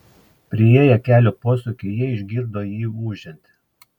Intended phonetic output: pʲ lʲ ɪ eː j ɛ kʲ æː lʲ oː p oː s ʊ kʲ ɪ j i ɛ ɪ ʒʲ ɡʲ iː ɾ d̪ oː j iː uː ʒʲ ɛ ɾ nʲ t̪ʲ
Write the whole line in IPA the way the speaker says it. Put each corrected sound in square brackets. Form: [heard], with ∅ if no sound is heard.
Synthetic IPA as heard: pʲ [ɾʲ] ɪ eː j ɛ kʲ æː lʲ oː p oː s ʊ kʲ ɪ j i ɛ ɪ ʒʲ ɡʲ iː ɾ d̪ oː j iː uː ʒʲ ɛ [∅] nʲ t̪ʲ